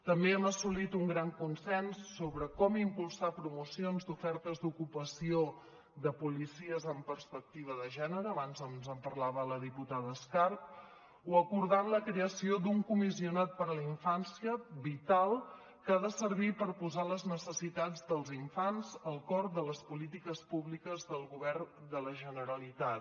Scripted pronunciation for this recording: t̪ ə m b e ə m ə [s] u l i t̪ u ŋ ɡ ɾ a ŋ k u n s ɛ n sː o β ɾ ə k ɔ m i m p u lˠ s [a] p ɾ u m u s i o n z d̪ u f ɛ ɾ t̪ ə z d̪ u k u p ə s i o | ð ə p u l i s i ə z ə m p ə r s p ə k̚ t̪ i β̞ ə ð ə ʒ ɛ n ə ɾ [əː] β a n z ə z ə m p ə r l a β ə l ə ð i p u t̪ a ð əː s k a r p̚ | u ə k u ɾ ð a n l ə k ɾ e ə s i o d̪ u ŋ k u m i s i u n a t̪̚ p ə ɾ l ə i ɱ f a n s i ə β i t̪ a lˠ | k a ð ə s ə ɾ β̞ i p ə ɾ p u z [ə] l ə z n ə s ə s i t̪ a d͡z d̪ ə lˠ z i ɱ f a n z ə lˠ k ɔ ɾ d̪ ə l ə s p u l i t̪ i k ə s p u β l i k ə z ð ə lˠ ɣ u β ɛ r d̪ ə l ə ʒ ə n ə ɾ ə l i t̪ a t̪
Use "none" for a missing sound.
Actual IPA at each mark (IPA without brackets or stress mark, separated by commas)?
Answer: s, a, əː, a